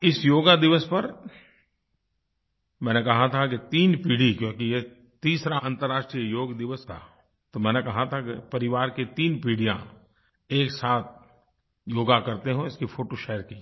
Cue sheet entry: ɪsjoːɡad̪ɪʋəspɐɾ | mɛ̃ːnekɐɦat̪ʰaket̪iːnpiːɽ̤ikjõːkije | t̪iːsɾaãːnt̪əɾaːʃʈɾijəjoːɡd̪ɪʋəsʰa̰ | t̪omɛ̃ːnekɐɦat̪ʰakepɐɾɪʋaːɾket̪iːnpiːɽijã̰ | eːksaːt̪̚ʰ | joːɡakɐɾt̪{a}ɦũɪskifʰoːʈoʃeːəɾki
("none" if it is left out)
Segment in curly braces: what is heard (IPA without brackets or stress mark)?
e